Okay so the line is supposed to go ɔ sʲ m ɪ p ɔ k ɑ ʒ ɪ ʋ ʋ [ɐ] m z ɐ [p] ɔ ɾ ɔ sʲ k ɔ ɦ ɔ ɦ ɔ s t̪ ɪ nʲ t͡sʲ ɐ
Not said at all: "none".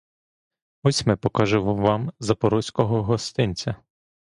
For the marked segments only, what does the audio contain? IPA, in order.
ɑ, p

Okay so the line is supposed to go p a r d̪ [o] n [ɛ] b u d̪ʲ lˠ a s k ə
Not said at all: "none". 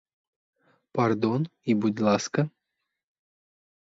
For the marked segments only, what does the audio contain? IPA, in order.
o, i

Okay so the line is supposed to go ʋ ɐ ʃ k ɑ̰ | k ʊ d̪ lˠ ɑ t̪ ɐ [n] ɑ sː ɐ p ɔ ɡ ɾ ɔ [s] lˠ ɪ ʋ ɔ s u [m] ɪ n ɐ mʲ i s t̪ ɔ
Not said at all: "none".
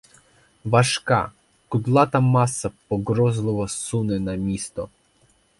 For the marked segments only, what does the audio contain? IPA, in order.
m, z, n

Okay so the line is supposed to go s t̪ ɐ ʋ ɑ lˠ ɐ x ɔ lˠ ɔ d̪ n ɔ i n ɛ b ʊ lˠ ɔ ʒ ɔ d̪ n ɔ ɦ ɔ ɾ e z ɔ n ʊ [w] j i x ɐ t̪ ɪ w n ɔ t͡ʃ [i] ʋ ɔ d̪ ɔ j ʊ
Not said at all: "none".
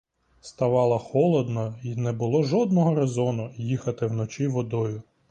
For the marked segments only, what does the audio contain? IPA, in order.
none, i

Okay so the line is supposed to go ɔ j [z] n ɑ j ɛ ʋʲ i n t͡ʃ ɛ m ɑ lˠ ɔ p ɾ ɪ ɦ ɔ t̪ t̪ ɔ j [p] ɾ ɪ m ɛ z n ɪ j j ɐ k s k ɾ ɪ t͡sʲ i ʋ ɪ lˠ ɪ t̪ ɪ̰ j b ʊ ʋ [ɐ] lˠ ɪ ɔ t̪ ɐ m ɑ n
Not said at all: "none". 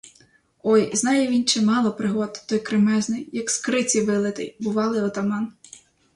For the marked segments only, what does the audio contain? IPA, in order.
z, k, ɑ

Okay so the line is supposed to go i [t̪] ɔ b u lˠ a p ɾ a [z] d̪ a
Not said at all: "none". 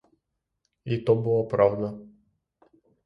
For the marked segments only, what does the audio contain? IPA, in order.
t̪, v

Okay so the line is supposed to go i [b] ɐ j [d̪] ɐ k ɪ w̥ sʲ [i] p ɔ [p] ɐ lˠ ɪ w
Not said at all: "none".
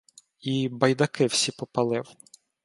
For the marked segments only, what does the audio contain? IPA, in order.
b, d̪, i, p

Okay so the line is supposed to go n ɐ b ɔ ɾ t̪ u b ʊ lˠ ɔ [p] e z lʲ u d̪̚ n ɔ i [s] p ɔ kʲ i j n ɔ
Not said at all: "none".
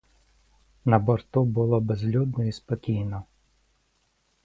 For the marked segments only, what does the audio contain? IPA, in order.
b, s

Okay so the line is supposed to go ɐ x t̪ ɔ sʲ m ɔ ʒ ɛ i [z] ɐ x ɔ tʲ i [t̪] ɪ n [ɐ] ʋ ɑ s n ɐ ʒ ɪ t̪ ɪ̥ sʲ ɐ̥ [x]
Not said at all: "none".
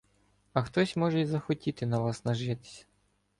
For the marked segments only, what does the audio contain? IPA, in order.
z, t̪, ɐ, none

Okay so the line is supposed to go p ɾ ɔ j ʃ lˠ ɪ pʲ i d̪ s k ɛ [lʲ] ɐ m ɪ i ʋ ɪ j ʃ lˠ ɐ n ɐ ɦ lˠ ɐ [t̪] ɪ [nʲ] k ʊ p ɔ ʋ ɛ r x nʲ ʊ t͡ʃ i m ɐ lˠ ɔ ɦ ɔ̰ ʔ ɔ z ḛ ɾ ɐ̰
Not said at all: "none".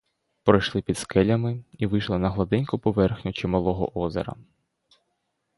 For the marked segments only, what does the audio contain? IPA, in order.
lʲ, d̪, nʲ

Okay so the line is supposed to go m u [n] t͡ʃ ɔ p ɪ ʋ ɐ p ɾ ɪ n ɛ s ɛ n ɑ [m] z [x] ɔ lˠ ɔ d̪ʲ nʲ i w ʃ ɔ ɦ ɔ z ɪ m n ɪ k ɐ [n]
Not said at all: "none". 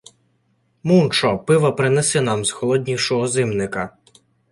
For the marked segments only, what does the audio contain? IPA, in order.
n, m, x, none

